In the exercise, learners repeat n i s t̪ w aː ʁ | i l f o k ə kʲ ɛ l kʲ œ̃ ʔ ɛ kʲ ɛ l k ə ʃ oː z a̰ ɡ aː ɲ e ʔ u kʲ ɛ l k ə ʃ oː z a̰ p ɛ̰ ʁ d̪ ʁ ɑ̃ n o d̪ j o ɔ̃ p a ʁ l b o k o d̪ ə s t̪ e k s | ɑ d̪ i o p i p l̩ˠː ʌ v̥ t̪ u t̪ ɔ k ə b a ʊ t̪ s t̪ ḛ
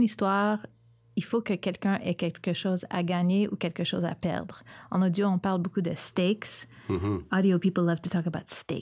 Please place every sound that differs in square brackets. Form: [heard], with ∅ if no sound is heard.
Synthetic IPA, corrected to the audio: n i s t̪ w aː ʁ | i l f o k ə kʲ ɛ l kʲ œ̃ ʔ ɛ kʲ ɛ l k ə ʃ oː z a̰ ɡ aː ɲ e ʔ u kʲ ɛ l k ə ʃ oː z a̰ p ɛ̰ ʁ d̪ ʁ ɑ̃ n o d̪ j o ɔ̃ p a ʁ l b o k [u] d̪ ə s t̪ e k s | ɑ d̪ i o p i p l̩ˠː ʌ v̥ t̪ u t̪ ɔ k ə b a ʊ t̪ s t̪ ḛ